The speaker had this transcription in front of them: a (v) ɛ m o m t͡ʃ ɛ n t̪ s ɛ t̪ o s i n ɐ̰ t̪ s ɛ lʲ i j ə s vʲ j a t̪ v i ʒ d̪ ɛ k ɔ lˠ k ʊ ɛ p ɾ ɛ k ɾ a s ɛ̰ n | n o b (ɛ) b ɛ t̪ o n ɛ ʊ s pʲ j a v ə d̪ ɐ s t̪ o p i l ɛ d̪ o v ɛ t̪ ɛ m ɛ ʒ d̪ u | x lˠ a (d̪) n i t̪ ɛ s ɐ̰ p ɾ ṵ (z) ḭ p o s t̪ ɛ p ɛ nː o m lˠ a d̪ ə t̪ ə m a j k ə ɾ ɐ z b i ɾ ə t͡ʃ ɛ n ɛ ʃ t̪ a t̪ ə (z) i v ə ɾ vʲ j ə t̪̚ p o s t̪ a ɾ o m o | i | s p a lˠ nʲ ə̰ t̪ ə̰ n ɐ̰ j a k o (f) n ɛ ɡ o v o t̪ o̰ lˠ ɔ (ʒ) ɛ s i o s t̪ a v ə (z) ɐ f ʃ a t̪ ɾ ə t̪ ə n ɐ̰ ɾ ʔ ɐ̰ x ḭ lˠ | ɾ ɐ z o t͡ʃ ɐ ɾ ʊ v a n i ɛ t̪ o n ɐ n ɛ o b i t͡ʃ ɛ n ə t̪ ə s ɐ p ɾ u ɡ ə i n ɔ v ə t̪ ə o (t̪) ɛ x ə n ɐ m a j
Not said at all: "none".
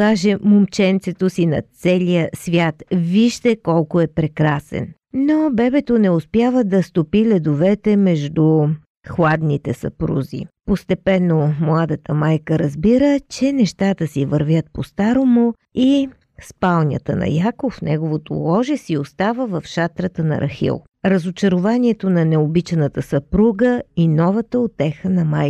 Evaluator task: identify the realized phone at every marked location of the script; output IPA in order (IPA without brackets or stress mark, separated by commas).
ʒ, ɛ, d̪, z, s, f, ʒ, v, t̪